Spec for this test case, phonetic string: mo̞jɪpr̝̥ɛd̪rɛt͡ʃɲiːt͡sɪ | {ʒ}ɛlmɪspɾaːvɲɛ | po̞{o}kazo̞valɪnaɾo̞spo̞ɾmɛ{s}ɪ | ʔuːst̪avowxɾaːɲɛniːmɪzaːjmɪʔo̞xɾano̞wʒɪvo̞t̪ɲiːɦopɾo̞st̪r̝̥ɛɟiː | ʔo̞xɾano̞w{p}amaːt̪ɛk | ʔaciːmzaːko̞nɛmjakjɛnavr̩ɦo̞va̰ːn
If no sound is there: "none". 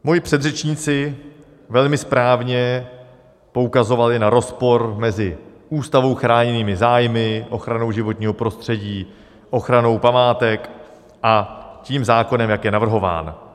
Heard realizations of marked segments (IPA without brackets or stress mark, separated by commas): v, u, z, p